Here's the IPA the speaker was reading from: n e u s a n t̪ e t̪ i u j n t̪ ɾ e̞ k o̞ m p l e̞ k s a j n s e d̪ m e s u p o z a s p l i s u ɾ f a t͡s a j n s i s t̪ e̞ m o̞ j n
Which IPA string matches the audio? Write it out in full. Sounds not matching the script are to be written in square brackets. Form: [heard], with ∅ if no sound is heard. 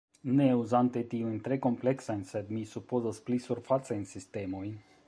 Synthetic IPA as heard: n e u [z] a n t̪ e t̪ i u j n t̪ ɾ e̞ k o̞ m p l e̞ k s a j n s e d̪ m [i] s u p o z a s p l i s u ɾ f a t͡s a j n s i s t̪ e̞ m o̞ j n